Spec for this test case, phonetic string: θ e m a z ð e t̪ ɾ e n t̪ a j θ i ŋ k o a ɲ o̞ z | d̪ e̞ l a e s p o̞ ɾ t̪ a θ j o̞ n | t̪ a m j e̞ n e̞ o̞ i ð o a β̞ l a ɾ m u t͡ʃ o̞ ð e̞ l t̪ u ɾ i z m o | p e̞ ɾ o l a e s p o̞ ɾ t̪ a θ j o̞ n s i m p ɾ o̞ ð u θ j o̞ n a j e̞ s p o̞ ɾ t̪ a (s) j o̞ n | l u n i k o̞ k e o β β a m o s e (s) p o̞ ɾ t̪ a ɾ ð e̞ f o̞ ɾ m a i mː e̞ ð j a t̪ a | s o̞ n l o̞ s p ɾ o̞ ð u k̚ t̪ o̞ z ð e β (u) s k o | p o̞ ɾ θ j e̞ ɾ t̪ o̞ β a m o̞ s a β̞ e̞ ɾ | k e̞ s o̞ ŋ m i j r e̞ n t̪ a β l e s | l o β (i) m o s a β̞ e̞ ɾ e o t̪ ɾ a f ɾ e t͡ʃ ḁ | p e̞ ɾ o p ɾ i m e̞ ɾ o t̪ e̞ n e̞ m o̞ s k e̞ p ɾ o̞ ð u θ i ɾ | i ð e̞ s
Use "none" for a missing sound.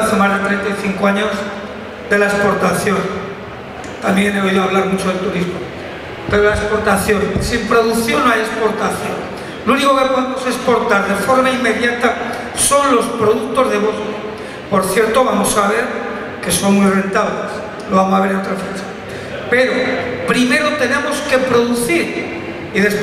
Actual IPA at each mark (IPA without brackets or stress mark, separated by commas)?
θ, s, o, a